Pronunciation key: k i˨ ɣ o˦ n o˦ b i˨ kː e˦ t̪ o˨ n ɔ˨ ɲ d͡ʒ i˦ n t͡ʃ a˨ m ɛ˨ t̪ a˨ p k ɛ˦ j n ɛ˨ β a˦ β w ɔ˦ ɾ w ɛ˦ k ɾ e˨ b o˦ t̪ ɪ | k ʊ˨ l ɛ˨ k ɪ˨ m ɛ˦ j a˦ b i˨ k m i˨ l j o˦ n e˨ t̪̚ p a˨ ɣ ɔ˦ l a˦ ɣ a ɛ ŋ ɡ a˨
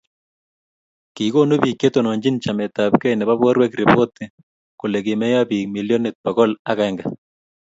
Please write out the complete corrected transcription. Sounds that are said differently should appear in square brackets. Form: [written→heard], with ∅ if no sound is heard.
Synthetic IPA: k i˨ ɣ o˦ n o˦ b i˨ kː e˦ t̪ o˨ n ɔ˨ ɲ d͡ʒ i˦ n t͡ʃ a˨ m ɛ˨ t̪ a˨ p k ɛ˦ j n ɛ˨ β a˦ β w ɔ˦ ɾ w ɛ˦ k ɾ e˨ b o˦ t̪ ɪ | k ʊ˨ l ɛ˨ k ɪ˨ m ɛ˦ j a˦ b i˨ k m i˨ l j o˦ n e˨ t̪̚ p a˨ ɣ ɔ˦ l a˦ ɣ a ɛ ŋ ɡ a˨